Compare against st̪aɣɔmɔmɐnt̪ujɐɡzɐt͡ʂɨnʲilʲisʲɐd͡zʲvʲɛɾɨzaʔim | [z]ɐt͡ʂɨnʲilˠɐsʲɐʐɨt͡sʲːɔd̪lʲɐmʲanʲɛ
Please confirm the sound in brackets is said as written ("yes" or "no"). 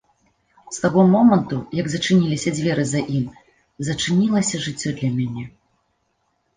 yes